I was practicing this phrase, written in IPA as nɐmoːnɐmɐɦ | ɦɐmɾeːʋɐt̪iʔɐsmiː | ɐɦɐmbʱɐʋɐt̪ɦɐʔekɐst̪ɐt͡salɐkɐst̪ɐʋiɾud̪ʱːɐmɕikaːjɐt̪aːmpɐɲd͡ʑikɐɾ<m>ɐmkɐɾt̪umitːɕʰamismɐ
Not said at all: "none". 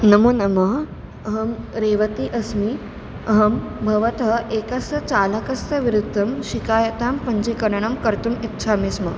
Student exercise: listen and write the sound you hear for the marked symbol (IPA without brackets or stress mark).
ɳ